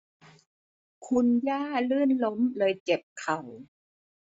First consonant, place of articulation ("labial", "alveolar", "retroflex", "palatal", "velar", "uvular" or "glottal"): velar